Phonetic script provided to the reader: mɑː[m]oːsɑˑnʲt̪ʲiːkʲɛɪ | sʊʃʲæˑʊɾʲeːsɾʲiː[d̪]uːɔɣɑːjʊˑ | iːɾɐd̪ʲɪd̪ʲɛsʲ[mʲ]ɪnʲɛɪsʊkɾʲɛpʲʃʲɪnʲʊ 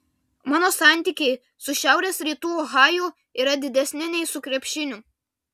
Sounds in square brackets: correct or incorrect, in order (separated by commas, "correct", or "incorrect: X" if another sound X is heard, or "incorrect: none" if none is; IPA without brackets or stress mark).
incorrect: n, incorrect: t̪, incorrect: nʲ